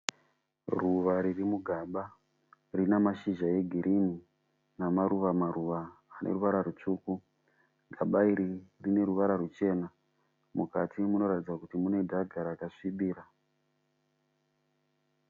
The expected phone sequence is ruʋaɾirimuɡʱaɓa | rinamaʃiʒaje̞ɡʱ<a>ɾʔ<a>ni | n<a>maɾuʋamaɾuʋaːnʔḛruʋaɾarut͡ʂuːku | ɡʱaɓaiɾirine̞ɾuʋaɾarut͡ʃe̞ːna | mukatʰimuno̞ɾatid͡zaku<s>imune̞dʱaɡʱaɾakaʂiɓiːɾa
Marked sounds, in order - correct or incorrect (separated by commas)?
incorrect, incorrect, correct, incorrect